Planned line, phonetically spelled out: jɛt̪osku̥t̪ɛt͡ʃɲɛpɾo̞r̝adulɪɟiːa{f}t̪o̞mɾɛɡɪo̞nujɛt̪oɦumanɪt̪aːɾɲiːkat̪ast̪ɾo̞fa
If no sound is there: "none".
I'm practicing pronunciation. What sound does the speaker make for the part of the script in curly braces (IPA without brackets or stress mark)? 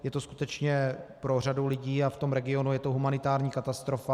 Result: f